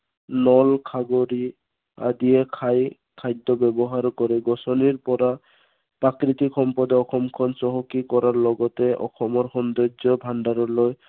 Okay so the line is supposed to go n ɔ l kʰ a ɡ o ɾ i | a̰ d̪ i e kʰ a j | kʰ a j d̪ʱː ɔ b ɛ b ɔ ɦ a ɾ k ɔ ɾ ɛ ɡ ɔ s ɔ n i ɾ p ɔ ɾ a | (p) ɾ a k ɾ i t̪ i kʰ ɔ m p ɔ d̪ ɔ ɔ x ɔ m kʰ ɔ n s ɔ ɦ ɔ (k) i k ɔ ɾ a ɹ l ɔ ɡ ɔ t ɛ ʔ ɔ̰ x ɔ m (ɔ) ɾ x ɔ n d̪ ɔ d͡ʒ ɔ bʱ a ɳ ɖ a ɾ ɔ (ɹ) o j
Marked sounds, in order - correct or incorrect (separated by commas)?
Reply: correct, correct, correct, incorrect